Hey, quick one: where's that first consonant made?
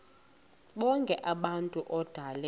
lips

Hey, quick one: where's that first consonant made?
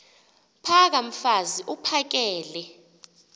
lips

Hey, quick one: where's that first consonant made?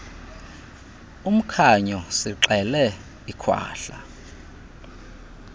lips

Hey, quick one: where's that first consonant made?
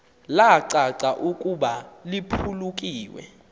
tongue tip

